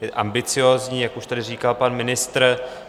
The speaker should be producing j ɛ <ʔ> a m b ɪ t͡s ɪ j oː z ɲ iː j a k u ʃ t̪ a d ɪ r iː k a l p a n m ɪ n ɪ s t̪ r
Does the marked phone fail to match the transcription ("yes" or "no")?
no